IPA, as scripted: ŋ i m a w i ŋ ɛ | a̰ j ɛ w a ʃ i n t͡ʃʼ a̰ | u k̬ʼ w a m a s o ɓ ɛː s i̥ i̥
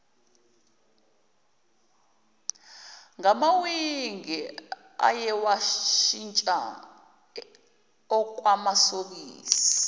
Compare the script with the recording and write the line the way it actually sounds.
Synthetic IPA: ŋ a m a w i ŋ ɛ | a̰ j ɛ w a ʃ i n t͡ʃʼ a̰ | ɔ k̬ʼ w a m a s o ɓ iː s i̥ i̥